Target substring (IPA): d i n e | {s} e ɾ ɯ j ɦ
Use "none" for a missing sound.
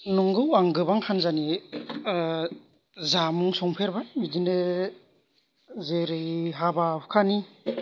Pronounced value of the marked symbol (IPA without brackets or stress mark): z